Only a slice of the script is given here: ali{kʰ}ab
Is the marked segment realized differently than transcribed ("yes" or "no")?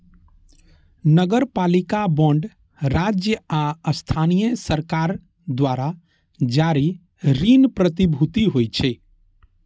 yes